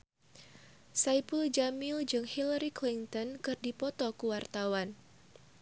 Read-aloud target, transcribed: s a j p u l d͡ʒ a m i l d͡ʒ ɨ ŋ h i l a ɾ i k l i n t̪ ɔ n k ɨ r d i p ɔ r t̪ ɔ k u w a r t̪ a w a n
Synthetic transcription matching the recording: s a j p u l d͡ʒ a m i l d͡ʒ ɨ ŋ h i l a ɾ i k l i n t̪ ɔ n k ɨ r d i p ɔ t̪ ɔ k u w a r t̪ a w a n